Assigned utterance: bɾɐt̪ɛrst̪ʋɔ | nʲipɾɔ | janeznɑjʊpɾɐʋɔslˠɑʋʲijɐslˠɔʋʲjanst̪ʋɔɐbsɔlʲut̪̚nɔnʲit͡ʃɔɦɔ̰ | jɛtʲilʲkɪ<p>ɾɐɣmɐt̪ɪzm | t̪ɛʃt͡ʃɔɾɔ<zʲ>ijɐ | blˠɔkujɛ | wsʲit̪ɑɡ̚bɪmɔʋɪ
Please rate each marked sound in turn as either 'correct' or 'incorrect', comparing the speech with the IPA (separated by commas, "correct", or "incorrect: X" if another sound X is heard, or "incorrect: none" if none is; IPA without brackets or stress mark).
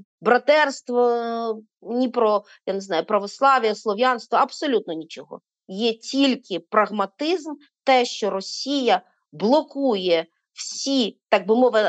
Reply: correct, incorrect: sʲ